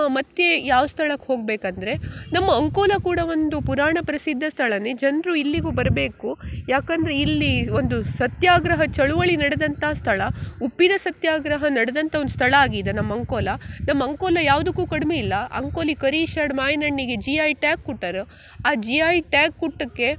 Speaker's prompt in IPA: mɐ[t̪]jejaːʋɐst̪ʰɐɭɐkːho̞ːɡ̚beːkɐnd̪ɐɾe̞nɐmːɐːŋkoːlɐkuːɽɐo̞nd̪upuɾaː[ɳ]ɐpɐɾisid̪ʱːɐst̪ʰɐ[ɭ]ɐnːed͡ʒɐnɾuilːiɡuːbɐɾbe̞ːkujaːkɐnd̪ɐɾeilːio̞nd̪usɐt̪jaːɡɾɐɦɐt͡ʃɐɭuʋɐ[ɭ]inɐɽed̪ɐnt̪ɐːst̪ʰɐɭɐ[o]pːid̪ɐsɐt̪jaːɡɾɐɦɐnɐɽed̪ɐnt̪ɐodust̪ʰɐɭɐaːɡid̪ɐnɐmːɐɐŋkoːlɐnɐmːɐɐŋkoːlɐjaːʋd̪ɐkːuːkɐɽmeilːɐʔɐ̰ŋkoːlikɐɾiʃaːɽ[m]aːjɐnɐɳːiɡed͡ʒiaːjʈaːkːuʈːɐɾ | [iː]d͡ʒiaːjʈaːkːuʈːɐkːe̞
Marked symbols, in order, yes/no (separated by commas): yes, yes, yes, yes, no, yes, no